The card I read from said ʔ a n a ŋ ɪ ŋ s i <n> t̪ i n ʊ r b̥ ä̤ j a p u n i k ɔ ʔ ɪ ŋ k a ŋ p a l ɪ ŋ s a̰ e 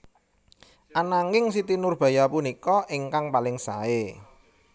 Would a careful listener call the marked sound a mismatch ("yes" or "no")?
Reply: yes